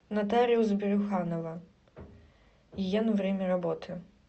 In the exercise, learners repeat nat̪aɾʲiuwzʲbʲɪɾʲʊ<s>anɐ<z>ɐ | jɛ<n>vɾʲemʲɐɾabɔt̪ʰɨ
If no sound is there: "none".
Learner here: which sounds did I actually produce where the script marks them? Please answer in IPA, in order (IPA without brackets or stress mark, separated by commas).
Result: x, v, n